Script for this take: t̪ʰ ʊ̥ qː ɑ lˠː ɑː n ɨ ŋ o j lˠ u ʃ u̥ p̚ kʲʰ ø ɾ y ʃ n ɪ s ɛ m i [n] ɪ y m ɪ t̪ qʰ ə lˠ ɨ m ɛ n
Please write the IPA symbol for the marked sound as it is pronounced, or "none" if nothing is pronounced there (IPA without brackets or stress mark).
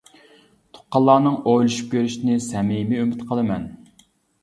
m